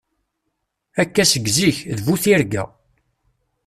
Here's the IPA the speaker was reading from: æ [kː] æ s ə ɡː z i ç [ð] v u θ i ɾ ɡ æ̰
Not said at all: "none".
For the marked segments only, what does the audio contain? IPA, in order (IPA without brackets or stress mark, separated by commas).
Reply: kː, ð